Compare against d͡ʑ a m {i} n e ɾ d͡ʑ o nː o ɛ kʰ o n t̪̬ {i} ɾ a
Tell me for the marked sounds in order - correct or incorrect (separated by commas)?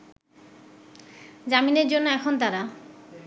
correct, incorrect